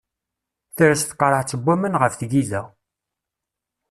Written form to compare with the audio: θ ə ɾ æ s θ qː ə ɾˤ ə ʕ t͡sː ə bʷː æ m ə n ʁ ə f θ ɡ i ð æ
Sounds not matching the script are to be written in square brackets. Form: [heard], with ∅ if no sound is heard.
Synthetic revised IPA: θ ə ɾ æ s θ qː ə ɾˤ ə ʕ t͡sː ə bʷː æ m ə n ʁ ə f θ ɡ i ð æ